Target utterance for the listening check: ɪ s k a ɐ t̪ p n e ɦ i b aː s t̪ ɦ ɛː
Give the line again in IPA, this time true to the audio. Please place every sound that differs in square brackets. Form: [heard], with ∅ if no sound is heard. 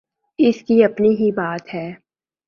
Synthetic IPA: ɪ s k [i] ɐ [∅] p n [i] ɦ i b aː [∅] t̪ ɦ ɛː